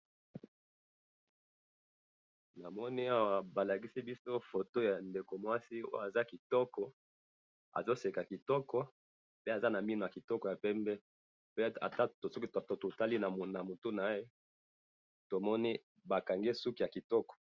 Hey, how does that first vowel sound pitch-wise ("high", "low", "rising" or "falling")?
low